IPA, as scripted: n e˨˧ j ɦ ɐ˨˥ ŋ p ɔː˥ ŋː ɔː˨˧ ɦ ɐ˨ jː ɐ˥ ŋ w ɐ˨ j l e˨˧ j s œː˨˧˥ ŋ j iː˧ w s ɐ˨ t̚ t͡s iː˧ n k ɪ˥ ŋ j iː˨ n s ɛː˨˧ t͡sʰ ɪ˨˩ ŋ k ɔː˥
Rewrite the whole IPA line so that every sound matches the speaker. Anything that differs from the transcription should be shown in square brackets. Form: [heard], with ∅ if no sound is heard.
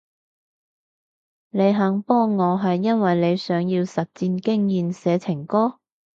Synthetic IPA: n e˨˧ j ɦ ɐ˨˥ ŋ p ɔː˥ ŋː ɔː˨˧ ɦ ɐ˨ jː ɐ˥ [n] w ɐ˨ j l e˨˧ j s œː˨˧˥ ŋ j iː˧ w s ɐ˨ t̚ t͡s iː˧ n k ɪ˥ ŋ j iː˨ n s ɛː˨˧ t͡sʰ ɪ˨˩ ŋ k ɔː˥